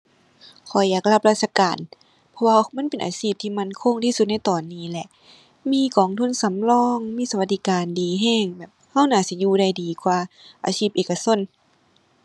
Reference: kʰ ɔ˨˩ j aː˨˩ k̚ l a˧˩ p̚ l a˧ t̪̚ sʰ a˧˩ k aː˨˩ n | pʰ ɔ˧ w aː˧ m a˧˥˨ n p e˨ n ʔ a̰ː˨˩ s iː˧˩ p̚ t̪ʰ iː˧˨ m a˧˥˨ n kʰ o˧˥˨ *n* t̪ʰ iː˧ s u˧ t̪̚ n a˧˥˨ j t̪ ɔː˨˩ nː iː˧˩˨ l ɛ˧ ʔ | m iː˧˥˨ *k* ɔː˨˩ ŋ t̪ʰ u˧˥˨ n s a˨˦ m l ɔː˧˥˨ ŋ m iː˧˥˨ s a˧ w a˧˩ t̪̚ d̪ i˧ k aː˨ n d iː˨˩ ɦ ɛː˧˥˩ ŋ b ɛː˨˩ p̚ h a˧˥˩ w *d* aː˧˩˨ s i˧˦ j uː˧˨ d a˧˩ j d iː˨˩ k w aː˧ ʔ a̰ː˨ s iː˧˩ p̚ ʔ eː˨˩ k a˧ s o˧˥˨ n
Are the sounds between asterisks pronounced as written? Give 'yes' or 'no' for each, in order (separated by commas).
no, yes, no